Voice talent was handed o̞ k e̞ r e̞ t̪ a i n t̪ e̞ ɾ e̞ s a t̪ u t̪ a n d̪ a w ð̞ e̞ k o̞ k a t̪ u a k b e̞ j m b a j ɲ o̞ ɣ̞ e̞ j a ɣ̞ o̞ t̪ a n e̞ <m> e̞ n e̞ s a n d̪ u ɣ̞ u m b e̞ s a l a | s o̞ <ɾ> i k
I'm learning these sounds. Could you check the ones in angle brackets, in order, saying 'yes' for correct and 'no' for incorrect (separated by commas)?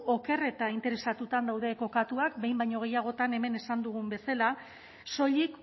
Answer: yes, no